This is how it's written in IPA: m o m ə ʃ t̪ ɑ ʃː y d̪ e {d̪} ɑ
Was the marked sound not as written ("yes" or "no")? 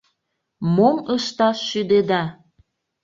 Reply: no